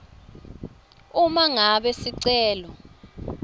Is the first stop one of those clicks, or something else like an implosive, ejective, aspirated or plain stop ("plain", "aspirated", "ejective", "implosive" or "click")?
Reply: implosive